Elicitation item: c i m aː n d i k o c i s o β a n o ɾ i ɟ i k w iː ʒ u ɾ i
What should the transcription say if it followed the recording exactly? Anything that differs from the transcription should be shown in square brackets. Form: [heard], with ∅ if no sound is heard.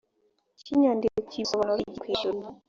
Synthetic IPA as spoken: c i [ɲ] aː n d i k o c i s o β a n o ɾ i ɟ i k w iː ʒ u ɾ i